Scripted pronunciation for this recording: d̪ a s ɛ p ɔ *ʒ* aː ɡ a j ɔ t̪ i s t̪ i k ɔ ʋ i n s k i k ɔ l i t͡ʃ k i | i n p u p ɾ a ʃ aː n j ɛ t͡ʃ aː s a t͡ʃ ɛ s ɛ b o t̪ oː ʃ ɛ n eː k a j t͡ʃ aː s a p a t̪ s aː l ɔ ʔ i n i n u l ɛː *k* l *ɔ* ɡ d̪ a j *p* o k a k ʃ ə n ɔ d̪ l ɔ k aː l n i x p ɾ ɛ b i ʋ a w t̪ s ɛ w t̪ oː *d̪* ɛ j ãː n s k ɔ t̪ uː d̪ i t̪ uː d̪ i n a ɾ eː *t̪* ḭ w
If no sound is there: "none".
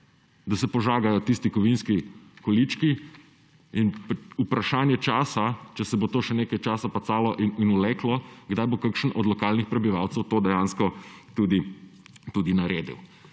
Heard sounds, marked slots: ʒ, k, ɔ, b, d̪, d̪

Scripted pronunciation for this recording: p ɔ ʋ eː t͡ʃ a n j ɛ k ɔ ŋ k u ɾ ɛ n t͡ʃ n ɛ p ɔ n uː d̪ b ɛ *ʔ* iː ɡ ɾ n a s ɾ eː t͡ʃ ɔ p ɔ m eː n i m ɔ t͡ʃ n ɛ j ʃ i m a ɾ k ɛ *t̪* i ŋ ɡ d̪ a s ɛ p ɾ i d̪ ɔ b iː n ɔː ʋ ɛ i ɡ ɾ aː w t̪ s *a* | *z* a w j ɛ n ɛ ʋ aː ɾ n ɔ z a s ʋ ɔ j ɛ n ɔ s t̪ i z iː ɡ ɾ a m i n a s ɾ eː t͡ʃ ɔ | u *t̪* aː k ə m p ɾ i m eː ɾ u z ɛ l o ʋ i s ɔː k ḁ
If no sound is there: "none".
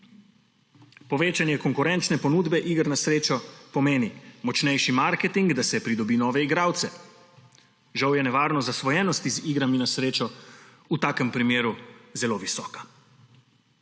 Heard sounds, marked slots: ʔ, t̪, ɛ, ʒ, t̪

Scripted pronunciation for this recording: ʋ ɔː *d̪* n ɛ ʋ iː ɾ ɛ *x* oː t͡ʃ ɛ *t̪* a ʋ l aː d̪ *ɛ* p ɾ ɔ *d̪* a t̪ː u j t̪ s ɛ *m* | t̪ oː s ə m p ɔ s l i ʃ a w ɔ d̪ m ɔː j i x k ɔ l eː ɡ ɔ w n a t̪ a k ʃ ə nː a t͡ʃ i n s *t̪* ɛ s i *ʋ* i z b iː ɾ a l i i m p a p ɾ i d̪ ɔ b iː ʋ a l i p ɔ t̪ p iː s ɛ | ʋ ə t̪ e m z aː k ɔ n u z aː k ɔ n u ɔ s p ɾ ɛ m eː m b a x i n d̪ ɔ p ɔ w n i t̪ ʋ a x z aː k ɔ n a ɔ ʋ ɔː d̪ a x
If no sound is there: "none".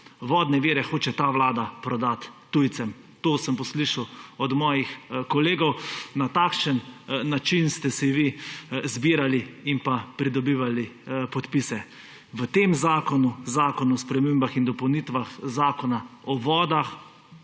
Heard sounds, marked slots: d̪, x, t̪, a, d̪, m, t̪, ʋ

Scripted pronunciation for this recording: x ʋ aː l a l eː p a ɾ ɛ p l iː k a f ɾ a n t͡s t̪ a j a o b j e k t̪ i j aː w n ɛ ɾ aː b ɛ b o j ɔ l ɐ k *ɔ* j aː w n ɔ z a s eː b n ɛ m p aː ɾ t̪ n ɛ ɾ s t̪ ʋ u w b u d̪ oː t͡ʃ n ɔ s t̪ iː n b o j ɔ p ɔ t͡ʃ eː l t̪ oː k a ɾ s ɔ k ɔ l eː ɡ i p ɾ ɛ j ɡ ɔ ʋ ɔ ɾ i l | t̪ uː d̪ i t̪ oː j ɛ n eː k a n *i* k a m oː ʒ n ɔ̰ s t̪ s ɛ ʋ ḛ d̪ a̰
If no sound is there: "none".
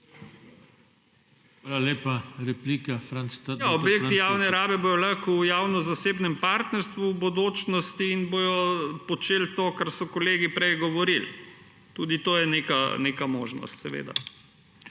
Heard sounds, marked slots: u, e

